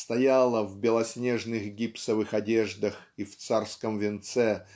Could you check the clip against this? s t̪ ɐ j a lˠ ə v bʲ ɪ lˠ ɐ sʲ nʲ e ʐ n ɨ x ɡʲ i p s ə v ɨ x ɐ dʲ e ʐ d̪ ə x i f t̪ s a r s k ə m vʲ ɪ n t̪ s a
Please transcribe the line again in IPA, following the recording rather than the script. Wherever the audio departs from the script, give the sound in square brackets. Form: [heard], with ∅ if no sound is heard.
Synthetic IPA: s t̪ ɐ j a lˠ ə v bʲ ɪ lˠ ɐ sʲ nʲ e ʐ n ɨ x ɡʲ i p s ə v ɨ x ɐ dʲ e ʐ d̪ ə x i f t̪ s a r s k ə m vʲ ɪ n t̪ s [ɛ]